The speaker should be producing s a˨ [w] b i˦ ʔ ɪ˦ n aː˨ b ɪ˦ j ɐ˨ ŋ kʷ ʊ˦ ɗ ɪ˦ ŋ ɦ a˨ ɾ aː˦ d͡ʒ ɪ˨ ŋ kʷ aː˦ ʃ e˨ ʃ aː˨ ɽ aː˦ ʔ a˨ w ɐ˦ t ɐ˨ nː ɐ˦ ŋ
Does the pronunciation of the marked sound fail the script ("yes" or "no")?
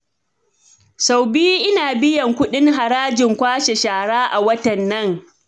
no